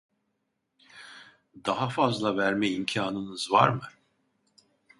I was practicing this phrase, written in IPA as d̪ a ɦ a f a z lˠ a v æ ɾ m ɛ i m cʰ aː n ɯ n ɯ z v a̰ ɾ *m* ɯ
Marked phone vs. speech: correct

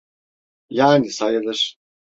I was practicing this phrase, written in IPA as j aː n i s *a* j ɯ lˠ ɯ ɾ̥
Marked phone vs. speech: correct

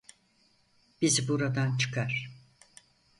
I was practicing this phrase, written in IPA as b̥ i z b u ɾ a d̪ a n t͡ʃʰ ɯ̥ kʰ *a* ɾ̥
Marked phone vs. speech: correct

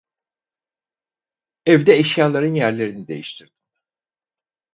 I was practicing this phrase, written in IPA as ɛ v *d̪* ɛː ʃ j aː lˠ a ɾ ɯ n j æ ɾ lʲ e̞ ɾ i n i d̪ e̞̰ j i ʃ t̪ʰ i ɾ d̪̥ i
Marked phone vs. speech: correct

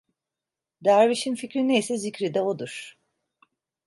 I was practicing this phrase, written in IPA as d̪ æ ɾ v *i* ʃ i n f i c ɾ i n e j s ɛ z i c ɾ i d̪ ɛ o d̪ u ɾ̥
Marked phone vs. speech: correct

